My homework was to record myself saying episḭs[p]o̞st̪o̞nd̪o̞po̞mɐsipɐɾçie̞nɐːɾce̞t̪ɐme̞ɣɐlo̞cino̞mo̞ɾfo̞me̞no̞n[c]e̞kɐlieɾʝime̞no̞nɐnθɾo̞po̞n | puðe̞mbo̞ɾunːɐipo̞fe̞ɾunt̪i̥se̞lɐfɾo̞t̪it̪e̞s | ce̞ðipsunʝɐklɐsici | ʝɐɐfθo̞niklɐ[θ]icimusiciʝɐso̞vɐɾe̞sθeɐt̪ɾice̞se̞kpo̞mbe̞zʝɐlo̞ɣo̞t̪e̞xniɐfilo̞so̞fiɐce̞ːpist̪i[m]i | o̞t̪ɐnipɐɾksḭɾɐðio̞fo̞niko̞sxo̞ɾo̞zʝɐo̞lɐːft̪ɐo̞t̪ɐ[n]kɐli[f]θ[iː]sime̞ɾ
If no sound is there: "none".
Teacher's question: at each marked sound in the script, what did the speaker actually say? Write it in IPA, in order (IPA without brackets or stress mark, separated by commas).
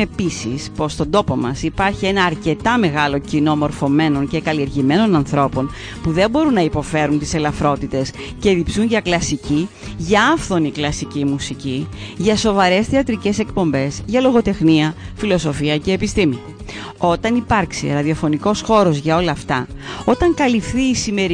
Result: p, c, s, m, ŋ, f, iː